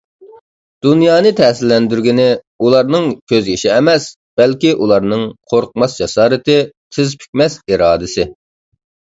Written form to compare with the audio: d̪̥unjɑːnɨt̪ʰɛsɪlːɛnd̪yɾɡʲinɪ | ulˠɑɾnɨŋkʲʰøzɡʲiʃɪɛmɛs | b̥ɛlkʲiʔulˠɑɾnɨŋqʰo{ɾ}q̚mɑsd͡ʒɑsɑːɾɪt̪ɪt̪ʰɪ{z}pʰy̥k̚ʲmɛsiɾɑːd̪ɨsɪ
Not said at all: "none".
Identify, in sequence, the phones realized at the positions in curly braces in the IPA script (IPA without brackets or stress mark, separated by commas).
ɾ, z